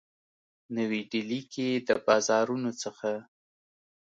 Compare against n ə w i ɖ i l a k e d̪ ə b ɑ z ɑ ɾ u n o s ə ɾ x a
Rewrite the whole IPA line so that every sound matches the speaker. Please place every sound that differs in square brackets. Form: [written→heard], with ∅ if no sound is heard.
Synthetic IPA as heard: n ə w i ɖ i l [a→i] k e d̪ ə b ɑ z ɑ ɾ u n o [s→t͡s] ə [ɾ→∅] x a